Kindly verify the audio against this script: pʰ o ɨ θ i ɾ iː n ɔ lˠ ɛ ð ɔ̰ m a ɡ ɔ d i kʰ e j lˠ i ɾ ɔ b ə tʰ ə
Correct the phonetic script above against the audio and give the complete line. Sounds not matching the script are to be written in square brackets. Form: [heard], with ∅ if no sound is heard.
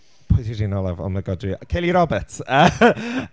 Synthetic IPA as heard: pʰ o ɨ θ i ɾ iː n ɔ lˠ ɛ [v] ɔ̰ m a ɡ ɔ d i kʰ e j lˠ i ɾ ɔ b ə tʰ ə